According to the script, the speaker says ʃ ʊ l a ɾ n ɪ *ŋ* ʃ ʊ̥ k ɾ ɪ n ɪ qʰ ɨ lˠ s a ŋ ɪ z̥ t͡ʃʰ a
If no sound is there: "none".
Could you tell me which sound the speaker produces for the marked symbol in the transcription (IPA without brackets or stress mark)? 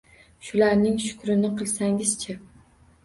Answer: ŋ